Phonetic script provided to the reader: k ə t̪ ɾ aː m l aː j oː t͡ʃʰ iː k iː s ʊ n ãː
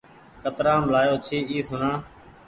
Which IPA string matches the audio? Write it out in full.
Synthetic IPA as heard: k ə t̪ ɾ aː m l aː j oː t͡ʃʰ iː iː s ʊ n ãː